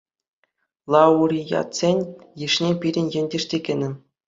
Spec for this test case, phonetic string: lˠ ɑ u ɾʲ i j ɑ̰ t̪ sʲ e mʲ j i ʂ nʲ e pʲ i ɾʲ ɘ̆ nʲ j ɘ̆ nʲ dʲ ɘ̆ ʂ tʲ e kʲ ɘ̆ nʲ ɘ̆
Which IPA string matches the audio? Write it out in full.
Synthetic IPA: lˠ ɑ u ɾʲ i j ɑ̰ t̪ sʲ e nʲ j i ʂ nʲ e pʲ i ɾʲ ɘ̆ nʲ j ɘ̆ nʲ dʲ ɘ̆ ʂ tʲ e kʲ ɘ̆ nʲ ɘ̆